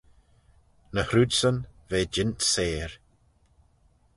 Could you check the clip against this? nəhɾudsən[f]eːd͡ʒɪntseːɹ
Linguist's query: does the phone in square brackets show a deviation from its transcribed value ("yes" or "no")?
yes